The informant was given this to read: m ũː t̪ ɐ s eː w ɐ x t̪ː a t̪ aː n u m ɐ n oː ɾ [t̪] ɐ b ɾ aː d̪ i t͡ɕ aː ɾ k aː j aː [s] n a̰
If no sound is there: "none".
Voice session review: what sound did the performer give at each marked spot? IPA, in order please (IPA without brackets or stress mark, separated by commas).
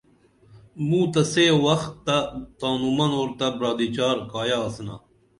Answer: t̪, s